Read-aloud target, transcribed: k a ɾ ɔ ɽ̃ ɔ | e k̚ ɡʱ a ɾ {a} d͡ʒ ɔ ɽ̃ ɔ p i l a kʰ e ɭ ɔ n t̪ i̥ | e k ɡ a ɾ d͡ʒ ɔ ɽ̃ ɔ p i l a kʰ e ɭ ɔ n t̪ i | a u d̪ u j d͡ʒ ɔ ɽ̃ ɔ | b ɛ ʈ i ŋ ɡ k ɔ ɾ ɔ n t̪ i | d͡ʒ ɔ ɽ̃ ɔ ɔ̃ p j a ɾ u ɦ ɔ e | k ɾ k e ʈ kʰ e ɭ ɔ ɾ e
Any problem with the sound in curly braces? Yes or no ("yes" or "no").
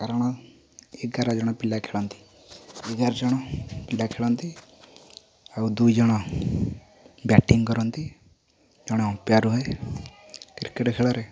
no